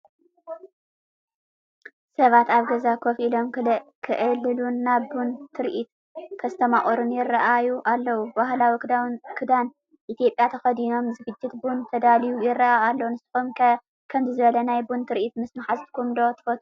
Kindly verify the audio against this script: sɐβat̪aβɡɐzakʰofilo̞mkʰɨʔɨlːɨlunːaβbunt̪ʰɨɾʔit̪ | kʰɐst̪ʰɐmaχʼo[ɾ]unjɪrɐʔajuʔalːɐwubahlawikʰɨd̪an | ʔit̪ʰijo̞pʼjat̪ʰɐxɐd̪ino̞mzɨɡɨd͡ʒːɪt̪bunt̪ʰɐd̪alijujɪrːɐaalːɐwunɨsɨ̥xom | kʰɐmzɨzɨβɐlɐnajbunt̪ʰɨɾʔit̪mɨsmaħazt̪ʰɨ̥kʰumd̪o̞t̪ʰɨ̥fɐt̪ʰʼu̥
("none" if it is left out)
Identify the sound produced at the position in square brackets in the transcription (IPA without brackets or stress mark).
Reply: ɾ